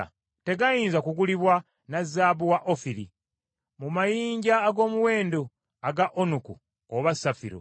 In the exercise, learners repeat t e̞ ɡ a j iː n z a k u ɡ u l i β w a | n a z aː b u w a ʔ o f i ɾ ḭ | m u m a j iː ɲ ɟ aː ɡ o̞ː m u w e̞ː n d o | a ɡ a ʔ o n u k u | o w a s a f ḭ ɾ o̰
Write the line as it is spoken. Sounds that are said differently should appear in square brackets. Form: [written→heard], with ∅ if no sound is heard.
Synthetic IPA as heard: t e̞ ɡ a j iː n z a k u ɡ u l i β w a | n a z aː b u w a ʔ o f i ɾ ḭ | m u m a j iː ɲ ɟ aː ɡ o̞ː m u w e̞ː n d o | a ɡ a ʔ o n u k u | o [w→β] a s a f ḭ ɾ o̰